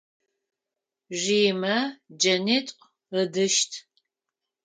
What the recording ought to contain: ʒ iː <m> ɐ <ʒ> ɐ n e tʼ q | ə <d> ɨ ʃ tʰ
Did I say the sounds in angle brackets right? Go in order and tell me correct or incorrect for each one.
correct, incorrect: d͡ʒ, correct

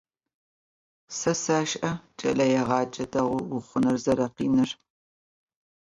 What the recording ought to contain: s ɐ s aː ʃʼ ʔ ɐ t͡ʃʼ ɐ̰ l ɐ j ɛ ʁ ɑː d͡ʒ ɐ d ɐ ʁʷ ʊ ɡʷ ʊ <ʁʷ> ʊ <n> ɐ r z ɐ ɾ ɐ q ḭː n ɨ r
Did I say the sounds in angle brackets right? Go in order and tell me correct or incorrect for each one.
incorrect: χʷ, correct

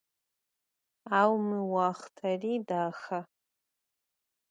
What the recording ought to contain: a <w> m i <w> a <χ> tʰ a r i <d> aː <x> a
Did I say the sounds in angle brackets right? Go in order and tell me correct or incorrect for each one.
correct, correct, correct, correct, correct

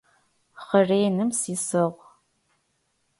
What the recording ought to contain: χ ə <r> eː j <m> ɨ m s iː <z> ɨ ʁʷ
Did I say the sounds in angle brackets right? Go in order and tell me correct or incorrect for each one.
correct, incorrect: n, incorrect: s

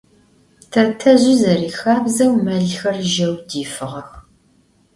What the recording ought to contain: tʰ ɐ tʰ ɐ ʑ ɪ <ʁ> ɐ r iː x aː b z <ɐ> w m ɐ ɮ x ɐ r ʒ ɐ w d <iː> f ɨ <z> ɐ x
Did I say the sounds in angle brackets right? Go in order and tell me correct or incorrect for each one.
incorrect: z, correct, correct, incorrect: ʁ

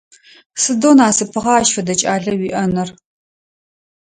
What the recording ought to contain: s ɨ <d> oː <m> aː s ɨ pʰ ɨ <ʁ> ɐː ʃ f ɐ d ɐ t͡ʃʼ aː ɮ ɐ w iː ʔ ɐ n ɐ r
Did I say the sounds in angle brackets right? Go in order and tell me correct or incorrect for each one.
correct, incorrect: n, correct

